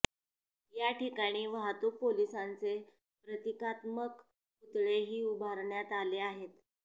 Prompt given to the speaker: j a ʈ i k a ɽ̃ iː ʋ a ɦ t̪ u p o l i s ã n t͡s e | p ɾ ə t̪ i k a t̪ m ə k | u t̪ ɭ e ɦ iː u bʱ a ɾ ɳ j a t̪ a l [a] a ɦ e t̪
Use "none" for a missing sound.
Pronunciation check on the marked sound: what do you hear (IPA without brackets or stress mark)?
e